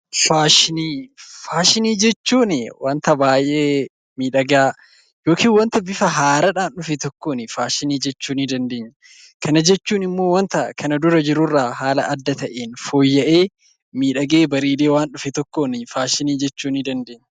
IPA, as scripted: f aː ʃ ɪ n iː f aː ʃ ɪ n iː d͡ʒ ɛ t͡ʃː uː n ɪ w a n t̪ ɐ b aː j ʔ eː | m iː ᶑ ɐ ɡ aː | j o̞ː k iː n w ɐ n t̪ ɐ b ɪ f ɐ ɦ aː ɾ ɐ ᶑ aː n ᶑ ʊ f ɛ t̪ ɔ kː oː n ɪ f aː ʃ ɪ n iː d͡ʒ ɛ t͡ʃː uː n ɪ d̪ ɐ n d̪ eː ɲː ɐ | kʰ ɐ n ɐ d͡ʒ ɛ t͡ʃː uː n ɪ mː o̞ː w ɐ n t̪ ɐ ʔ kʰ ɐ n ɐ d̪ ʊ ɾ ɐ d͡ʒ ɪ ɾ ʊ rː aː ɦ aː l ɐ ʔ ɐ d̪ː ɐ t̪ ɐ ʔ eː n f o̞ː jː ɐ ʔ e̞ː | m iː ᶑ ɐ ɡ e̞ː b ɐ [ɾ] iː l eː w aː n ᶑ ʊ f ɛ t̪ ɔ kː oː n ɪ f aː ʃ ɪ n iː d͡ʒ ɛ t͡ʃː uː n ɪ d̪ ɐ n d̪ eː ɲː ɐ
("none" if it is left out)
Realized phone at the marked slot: ɾ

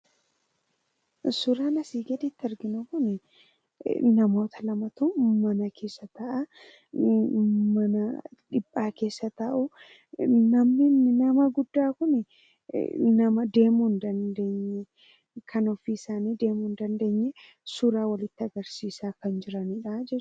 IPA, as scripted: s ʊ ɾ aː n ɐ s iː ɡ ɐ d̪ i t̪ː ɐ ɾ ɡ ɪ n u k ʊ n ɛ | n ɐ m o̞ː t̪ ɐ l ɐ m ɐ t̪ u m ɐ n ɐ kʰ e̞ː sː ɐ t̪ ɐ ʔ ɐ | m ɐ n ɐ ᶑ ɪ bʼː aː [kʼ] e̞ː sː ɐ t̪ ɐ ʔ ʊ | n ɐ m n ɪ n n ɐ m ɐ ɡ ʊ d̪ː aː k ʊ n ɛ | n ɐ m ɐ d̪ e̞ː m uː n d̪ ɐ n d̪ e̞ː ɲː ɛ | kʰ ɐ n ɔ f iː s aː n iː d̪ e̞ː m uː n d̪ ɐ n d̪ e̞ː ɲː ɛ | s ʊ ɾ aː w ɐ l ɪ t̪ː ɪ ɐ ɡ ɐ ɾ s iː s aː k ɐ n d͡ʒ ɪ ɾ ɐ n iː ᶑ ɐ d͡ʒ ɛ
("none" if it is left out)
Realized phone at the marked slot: k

